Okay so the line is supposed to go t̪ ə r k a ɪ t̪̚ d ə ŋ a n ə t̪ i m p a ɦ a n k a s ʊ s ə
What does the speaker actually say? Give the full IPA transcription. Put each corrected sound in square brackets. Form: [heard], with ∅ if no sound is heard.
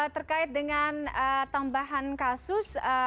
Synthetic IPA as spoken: t̪ ə r k a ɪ t̪̚ d ə ŋ a n ə t̪ [a] m [b] a ɦ a n k a s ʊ s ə

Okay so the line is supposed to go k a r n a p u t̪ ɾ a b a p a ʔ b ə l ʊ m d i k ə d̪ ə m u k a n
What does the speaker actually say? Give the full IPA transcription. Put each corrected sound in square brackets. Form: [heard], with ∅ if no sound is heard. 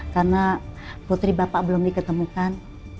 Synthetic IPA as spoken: k a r n a p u t̪ ɾ [i] b a p a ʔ b ə l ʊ m d i k ə [t̪] ə m u k a n

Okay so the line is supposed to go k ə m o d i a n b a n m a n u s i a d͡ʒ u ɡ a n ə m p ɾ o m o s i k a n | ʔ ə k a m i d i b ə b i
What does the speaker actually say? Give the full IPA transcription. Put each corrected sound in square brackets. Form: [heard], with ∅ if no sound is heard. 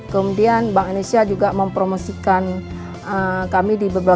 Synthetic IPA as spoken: k ə m [u] d i a n b a [ŋ] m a n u s i a d͡ʒ u ɡ a [m] ə m p ɾ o m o s i k a n | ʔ ə k a m i d i b ə b [a]

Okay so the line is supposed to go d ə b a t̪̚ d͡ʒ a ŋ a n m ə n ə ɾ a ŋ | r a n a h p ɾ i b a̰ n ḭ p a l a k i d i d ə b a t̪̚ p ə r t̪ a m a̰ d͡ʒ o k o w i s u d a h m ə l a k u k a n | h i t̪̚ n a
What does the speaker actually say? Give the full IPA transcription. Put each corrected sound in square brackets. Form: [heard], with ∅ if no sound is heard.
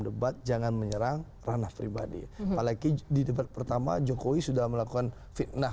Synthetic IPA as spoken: d ə b a t̪̚ d͡ʒ a ŋ a n m ə [ɲ] ə ɾ a ŋ | r a n a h p ɾ i b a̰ [d] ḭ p a l a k i d i d ə b a t̪̚ p ə r t̪ a m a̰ d͡ʒ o k o w i s u d a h m ə l a k u k a n | [f] i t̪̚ n a

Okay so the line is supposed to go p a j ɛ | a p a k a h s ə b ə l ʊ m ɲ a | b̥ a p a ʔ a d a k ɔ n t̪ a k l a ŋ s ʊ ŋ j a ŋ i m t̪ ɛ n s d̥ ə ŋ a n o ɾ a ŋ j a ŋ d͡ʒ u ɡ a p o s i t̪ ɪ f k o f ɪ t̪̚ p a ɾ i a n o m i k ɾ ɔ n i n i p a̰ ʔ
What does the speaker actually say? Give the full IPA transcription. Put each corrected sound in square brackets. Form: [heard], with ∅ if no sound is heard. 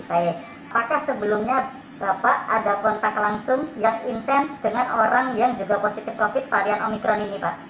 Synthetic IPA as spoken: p a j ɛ | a p a k a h s ə b ə l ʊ m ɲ a | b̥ a p a ʔ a d a k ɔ n t̪ a k l a ŋ s ʊ ŋ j a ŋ i [n] t̪ ɛ n s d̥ ə ŋ a n o ɾ a ŋ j a ŋ d͡ʒ u ɡ a p o s i t̪ ɪ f k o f ɪ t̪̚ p a ɾ i a n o m i k ɾ ɔ n i n i p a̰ ʔ

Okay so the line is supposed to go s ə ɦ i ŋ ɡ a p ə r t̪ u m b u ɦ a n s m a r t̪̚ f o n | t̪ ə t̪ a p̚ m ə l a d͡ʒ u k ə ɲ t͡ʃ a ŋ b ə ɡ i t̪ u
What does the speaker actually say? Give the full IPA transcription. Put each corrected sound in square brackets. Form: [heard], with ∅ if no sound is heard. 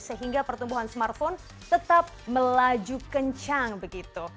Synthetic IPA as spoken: s ə ɦ i ŋ ɡ a p ə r t̪ u m b u ɦ a n s m a r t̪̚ f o n | t̪ ə t̪ a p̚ m ə l a d͡ʒ u k ə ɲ t͡ʃ a ŋ b ə ɡ i t̪ u

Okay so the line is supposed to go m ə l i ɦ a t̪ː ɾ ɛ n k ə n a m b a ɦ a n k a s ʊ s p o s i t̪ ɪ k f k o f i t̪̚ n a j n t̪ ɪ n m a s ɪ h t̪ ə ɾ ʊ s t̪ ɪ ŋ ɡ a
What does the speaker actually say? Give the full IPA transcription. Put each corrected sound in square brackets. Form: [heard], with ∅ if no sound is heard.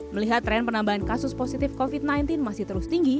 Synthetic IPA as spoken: m ə l i ɦ a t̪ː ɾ ɛ n [p] ə n a m b a ɦ a n k a s ʊ s p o s i t̪ ɪ [∅] f k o f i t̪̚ n a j n t̪ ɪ n m a s ɪ h t̪ ə ɾ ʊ s t̪ [i] ŋ ɡ [i]

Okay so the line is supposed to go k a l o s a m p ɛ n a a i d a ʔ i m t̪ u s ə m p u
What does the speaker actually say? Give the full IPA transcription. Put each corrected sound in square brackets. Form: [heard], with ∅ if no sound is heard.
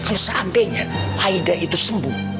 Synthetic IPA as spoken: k a l o s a m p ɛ [ɲ] a a i d a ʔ i [∅] t̪ u s ə m [b] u

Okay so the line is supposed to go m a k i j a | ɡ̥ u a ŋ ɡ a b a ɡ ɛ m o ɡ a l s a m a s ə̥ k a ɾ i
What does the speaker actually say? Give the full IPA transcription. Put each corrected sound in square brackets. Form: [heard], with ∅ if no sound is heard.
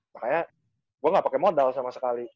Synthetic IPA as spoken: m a k [a] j a | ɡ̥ u a ŋ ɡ a [p] a [k] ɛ m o [d] a l s a m a s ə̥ k a [l] i

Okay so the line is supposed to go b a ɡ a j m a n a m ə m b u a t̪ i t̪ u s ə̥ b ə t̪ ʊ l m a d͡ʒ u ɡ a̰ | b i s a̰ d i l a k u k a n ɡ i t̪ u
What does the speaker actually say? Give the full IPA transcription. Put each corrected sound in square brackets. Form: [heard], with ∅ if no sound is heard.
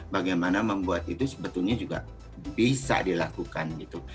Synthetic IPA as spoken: b a ɡ a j m a n a m ə m b u a t̪ i t̪ u s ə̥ b ə t̪ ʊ l [ɲ] a d͡ʒ u ɡ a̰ | b i s a̰ d i l a k u k a n ɡ i t̪ u

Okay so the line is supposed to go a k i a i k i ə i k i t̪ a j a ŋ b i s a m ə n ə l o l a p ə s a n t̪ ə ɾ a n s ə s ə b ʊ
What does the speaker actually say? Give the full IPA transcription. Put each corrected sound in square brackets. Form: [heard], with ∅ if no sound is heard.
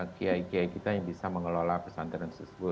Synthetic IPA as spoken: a k i a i k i [a] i k i t̪ a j a ŋ b i s a m ə [ŋ] ə l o l a p ə s a n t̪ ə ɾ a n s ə s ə b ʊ

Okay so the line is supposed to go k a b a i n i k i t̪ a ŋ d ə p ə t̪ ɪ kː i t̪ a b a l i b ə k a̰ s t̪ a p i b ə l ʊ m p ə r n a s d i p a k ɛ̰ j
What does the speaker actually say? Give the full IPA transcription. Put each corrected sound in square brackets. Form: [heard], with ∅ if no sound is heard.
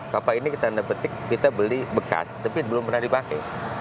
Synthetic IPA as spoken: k a [p] a i n i k i t̪ a [n] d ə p ə t̪ ɪ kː i t̪ a b [ə] l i b ə k a̰ s t̪ a p i b ə l ʊ m p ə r n a [h] d i p a k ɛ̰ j

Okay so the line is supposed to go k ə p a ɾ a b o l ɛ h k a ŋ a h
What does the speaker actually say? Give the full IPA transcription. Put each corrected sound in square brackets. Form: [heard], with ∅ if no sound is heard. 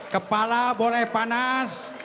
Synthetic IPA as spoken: k ə p a [l] a b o l ɛ h [p] a [n] a [s]

